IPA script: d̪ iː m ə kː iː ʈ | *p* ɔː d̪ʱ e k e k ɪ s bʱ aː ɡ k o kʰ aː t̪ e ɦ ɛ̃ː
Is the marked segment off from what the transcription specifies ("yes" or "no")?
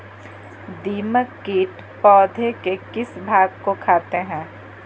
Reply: no